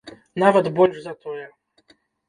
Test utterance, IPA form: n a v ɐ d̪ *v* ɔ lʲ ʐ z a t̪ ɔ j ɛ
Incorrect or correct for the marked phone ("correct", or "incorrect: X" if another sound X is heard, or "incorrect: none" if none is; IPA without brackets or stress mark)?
incorrect: b